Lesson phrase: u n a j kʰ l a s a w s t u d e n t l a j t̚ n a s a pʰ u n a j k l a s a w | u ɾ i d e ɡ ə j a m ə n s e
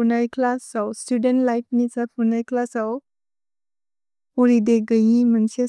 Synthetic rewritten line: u n a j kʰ l a s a w s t u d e n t l a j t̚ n i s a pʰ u n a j k l a s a w | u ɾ i d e ɡ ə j i m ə n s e